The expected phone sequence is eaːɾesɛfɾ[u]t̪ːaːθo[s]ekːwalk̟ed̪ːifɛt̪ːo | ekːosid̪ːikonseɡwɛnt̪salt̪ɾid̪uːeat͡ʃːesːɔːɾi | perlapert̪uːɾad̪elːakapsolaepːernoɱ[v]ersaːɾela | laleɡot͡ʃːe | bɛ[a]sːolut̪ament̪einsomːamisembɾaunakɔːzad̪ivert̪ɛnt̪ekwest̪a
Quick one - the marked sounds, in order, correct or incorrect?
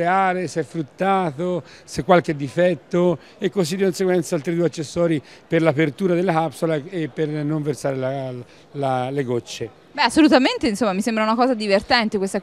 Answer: correct, correct, correct, correct

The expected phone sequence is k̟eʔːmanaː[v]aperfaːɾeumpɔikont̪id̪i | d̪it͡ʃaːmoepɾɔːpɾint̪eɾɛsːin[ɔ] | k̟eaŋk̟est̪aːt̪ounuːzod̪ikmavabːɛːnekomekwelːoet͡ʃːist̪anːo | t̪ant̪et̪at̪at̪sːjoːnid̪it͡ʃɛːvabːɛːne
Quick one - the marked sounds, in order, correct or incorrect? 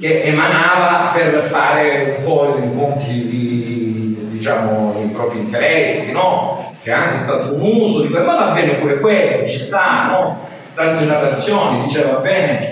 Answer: correct, correct

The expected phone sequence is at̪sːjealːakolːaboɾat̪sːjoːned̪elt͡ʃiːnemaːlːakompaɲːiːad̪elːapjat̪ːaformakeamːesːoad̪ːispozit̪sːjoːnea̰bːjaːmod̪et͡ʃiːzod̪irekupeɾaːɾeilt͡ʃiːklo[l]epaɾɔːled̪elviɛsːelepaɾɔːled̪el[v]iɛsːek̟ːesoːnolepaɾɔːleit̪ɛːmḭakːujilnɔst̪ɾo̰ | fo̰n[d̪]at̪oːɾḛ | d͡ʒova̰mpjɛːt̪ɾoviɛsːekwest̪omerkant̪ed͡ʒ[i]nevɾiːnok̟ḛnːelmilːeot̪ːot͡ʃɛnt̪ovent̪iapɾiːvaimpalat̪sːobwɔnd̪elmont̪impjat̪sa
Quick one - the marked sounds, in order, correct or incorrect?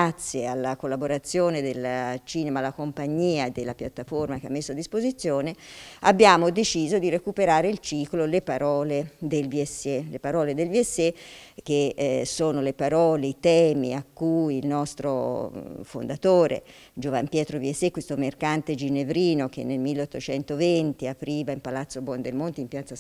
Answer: correct, correct, correct, correct

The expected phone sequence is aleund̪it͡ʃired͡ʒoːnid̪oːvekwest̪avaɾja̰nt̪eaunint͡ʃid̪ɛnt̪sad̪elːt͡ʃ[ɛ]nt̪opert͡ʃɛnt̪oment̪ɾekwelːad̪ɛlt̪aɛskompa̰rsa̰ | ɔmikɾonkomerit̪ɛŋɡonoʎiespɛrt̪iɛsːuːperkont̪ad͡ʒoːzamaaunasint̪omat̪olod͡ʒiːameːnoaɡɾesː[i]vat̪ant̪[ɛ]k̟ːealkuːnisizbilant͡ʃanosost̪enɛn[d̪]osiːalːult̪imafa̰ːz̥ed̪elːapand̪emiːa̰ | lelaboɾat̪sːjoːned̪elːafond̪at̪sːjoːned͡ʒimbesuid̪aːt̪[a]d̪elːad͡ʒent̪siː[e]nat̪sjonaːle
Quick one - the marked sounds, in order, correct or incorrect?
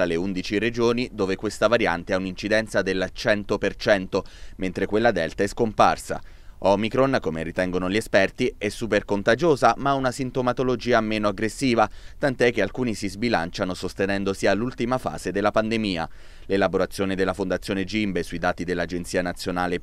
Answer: correct, incorrect, correct, correct, incorrect, incorrect

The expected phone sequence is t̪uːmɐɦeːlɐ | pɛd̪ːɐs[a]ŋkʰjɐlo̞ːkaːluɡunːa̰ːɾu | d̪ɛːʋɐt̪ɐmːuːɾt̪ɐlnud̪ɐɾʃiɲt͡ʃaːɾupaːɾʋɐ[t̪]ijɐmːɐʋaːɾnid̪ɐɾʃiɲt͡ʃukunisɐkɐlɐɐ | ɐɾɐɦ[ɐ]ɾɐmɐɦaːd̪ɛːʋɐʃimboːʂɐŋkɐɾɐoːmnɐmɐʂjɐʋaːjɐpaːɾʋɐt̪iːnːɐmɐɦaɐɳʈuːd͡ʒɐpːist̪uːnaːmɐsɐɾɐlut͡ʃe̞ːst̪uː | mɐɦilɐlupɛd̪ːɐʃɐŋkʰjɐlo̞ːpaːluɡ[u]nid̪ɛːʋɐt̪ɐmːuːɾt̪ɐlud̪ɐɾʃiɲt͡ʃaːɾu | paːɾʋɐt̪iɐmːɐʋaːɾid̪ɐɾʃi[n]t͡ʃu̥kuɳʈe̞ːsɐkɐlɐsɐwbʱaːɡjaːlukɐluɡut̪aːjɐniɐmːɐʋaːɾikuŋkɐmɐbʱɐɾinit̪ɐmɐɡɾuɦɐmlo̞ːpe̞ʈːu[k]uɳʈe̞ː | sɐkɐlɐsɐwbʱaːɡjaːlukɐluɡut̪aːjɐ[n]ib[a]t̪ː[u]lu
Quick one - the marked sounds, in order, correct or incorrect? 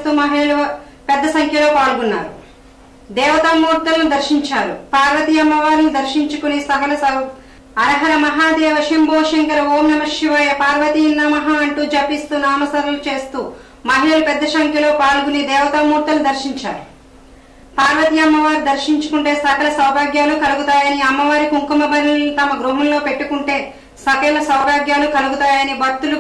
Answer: incorrect, correct, correct, correct, incorrect, correct, correct, incorrect, correct

